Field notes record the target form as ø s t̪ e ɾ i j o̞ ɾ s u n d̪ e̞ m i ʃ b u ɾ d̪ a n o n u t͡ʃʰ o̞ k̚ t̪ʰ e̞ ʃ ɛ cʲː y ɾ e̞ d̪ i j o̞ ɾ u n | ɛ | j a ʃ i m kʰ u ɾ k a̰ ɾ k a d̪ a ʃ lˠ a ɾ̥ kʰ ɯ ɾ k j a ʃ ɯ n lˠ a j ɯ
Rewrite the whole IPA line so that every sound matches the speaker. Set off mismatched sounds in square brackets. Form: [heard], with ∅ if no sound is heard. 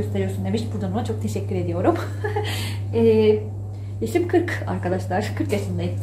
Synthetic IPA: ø s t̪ e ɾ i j o̞ ɾ s u n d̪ e̞ m i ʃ b u ɾ d̪ a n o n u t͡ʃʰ o̞ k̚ t̪ʰ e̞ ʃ ɛ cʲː y ɾ e̞ d̪ i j o̞ ɾ u [m] | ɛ | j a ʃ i m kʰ [ɯ] ɾ k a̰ ɾ k a d̪ a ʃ lˠ a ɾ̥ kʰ ɯ ɾ k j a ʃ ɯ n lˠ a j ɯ